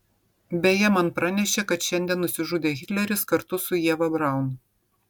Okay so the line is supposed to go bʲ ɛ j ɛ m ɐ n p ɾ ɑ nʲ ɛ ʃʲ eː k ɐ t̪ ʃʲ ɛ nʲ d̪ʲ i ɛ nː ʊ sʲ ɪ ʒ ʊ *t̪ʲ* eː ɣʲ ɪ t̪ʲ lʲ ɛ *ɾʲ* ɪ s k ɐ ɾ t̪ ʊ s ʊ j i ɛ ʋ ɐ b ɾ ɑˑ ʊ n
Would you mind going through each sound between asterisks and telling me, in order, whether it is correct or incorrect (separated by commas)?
incorrect, correct